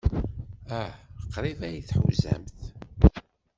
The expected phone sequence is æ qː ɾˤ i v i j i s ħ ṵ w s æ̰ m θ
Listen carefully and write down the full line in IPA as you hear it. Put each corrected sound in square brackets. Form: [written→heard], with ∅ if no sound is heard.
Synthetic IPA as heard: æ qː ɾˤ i v [i→æ] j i [s→θ] ħ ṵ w [s→z] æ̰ m θ